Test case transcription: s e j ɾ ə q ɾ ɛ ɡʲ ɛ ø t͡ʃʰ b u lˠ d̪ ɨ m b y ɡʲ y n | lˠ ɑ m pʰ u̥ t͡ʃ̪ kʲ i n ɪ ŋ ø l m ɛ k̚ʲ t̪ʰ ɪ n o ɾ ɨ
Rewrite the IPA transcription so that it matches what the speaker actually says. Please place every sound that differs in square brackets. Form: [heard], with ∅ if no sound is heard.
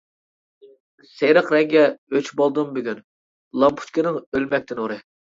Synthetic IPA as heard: s e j ɾ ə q ɾ ɛ ɡʲ ɛ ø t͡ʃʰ b [o] lˠ d̪ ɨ m b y ɡʲ y n | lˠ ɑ m pʰ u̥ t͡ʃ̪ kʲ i n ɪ ŋ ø l m ɛ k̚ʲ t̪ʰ ɪ n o ɾ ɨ